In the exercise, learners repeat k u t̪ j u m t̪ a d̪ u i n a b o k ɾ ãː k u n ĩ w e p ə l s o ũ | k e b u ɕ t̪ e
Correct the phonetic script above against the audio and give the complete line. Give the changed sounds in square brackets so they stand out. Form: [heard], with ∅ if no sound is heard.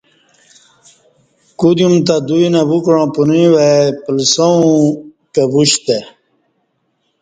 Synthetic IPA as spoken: k u [d̪] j u m t̪ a d̪ u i n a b [u] k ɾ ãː [p] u n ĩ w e p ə l s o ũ | k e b u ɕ t̪ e